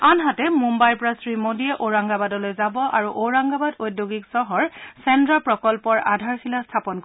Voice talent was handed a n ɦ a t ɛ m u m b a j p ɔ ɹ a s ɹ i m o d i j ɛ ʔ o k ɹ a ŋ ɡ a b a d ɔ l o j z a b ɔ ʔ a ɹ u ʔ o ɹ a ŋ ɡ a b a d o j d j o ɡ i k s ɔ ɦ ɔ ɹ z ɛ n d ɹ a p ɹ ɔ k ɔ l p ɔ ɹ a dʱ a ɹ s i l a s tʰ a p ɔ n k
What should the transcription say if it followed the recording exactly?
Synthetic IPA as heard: a n ɦ a t ɛ m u m b a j p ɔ ɹ a s ɹ i m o d i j ɛ ʔ o ɹ a ŋ ɡ a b a d ɔ l o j z a b ɔ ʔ a ɹ u ʔ o ɹ a ŋ ɡ a b a d o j d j o ɡ i k s ɔ ɦ ɔ ɹ s ɛ n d ɹ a p ɹ ɔ k ɔ l p ɔ ɹ a dʱ a ɹ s i l a s tʰ a p ɔ n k